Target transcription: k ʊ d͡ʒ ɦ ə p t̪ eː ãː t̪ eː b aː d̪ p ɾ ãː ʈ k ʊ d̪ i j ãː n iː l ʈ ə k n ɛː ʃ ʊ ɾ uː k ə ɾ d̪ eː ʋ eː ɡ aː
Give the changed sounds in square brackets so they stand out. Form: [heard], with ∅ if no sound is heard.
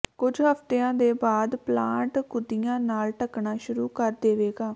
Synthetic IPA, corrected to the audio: k ʊ d͡ʒ ɦ ə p t̪ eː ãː [d̪] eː b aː d̪ p [l] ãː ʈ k ʊ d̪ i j ãː n [aː] l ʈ ə k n [aː] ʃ ʊ ɾ uː k ə ɾ d̪ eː ʋ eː ɡ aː